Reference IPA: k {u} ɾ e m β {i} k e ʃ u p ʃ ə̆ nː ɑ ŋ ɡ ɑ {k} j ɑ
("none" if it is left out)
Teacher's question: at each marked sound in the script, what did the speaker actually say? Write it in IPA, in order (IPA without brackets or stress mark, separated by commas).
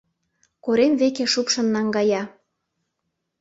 o, e, none